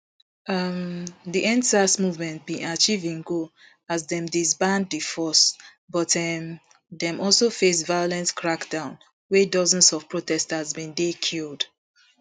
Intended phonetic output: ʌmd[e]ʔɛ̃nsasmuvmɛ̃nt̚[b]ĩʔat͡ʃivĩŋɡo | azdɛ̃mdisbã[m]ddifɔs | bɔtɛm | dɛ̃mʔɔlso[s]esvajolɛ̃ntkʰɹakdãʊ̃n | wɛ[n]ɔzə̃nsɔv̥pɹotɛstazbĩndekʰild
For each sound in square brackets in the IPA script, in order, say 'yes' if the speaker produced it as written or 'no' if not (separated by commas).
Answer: no, yes, no, no, no